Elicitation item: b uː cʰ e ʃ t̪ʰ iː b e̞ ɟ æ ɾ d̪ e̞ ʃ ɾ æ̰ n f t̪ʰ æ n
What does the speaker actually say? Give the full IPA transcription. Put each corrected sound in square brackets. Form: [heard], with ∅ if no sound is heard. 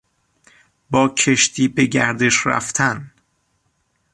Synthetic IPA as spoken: b [ɒː] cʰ e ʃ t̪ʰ iː b e̞ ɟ æ ɾ d̪ e̞ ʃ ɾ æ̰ [∅] f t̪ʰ æ n